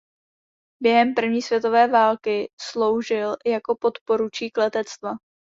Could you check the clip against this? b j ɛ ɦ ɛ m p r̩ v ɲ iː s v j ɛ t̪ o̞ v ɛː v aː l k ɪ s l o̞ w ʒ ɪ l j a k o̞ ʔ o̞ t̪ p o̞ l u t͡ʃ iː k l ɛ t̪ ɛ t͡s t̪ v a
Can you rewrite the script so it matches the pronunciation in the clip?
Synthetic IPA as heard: b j ɛ ɦ ɛ m p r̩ v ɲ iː s v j ɛ t̪ o̞ v ɛː v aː l k ɪ s l o̞ w ʒ ɪ l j a k o̞ p o̞ t̪ p o̞ ɾ u t͡ʃ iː k l ɛ t̪ ɛ t͡s t̪ v a